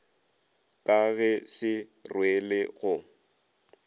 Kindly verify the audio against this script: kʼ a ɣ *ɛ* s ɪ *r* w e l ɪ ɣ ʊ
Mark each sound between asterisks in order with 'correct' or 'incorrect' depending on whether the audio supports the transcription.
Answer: correct, correct

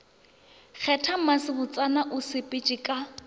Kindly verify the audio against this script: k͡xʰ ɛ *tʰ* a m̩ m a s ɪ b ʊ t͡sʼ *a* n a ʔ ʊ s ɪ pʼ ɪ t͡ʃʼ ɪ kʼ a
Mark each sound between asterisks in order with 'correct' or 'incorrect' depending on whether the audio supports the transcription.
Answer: correct, correct

